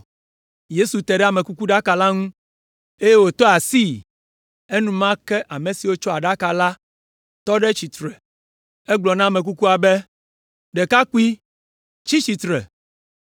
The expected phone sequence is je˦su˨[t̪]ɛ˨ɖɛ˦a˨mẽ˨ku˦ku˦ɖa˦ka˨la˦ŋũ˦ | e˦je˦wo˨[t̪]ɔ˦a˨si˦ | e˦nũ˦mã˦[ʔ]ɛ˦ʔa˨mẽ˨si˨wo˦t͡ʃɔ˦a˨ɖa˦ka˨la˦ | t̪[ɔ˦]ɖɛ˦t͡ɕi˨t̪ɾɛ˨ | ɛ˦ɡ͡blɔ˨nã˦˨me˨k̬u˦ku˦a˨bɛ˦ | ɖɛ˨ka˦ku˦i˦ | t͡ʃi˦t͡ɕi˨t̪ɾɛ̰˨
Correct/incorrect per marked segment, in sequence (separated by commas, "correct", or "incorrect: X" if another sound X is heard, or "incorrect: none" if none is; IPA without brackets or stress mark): correct, correct, incorrect: k, correct